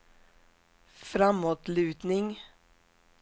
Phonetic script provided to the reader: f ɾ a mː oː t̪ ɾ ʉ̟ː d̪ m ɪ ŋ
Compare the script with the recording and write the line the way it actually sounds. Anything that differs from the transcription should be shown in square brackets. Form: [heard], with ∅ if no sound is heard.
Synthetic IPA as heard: f ɾ a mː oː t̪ [l] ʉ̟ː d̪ [n] ɪ ŋ